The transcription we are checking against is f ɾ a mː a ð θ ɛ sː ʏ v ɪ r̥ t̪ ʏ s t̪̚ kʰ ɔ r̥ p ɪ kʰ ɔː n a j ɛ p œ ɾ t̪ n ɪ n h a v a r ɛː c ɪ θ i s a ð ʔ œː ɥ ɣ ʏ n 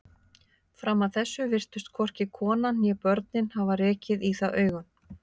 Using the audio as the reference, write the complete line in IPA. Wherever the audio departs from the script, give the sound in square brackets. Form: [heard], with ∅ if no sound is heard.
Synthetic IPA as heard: f ɾ a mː a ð θ ɛ sː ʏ v ɪ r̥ t̪ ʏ s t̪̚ kʰ ɔ r̥ [c] ɪ kʰ ɔː n a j ɛ p œ ɾ t̪ n ɪ n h a v a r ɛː c ɪ [ð] i [θ] a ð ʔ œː ɥ ɣ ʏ n